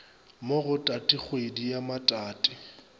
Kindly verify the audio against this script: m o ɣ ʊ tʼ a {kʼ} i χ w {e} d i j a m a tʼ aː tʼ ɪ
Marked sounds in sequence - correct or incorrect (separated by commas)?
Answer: incorrect, correct